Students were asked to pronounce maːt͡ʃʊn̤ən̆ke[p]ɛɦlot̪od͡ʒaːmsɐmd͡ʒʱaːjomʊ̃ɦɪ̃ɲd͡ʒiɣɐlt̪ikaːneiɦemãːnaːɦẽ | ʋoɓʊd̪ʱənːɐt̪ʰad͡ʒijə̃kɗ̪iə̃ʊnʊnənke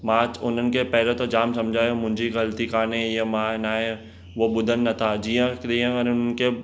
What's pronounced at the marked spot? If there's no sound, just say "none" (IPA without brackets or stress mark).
p